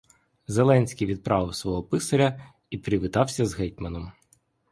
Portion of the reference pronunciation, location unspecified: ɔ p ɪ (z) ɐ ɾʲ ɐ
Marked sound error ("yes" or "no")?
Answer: yes